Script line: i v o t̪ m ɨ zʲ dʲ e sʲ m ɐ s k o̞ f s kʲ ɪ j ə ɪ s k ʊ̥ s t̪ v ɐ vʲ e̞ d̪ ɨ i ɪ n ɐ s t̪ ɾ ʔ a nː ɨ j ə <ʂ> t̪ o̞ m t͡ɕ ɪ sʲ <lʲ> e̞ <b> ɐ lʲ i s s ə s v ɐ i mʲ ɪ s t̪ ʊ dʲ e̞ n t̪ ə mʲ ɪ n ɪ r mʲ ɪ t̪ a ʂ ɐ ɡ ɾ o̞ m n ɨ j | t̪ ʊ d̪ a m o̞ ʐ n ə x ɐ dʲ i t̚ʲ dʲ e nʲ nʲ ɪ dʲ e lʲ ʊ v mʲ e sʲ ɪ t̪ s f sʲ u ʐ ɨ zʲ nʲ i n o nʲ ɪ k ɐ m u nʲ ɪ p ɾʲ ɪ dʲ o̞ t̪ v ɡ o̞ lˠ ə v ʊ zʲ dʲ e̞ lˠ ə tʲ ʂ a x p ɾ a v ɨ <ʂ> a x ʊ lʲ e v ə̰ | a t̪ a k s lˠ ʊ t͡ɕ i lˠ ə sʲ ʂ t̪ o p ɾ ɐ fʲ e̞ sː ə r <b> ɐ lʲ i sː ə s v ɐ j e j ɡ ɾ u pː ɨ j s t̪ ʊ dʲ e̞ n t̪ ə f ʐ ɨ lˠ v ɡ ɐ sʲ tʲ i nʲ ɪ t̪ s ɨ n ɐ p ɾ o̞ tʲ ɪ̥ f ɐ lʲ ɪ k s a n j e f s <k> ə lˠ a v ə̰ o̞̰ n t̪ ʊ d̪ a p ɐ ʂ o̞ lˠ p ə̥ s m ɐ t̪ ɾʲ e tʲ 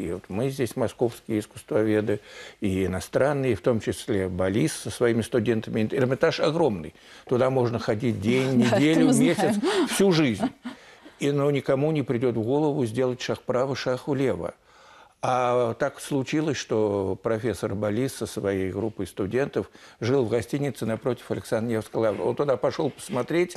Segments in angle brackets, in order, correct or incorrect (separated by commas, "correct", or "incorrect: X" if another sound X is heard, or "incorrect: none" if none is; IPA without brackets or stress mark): incorrect: f, correct, correct, correct, correct, correct